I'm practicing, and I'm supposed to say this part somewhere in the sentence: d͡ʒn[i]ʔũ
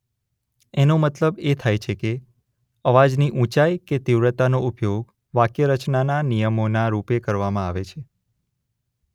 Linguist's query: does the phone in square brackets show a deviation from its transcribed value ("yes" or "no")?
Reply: no